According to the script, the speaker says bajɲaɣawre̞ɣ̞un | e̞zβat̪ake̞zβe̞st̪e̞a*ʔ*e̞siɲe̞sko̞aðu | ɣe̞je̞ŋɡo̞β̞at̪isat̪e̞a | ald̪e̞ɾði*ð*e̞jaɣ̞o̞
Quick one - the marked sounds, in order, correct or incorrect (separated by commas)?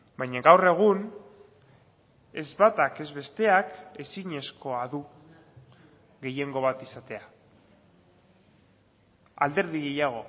incorrect, incorrect